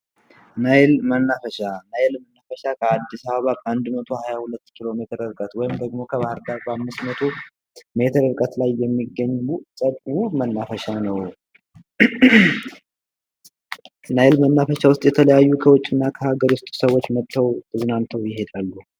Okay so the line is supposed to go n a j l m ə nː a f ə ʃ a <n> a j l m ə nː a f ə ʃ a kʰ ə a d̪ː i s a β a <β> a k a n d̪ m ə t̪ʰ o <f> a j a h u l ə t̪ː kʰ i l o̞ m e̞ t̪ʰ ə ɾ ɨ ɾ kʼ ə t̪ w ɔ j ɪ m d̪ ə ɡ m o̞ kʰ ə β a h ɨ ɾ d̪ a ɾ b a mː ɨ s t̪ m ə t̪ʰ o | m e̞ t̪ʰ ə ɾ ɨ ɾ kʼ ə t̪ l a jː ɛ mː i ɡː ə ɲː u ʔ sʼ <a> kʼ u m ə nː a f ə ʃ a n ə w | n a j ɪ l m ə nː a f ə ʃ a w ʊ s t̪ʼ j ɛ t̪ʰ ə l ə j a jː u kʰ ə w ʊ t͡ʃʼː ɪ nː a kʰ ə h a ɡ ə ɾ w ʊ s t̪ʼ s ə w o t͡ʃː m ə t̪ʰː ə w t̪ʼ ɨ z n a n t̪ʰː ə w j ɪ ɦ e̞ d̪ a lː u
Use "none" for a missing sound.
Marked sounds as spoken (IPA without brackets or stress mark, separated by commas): n, β, h, ə